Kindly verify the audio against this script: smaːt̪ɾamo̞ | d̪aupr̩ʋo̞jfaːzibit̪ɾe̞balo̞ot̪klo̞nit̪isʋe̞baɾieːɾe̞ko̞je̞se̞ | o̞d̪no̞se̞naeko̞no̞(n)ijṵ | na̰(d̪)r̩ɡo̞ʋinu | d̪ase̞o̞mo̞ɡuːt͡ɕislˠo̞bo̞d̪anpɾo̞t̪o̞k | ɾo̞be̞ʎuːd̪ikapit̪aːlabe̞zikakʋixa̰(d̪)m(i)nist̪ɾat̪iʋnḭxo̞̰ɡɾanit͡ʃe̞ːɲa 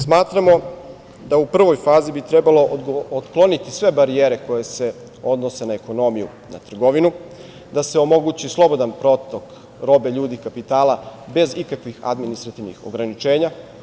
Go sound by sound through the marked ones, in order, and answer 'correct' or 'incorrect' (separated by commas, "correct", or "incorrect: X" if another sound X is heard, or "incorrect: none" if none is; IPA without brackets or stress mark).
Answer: incorrect: m, incorrect: t̪, correct, correct